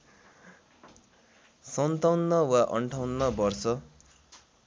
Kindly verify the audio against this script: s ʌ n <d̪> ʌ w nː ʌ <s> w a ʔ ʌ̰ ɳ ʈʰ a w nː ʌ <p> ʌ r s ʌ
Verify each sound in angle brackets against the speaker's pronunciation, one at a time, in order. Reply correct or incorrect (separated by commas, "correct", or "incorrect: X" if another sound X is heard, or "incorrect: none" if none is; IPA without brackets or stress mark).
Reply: incorrect: t̪, incorrect: none, incorrect: b